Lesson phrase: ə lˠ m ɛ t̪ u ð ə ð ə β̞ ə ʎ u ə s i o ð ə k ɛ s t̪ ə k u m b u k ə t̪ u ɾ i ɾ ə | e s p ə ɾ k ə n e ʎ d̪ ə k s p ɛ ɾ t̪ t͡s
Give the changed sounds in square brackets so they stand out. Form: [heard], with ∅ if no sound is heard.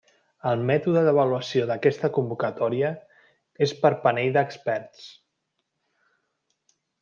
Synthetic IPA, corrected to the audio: ə lˠ m ɛ t̪ u ð ə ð ə β̞ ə [l] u ə s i o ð ə k ɛ s t̪ ə k u m b u k ə t̪ [ɔ] ɾ i [∅] ə | e s p ə ɾ [p] ə n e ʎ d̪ ə k s p ɛ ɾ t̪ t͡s